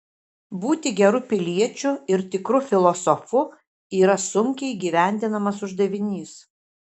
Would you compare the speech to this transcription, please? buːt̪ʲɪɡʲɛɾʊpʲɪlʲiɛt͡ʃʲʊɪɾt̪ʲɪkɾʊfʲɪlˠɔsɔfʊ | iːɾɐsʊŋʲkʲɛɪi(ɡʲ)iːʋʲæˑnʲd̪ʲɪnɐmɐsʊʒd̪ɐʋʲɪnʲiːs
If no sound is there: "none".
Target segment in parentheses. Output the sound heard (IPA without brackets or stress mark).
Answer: ɡʲ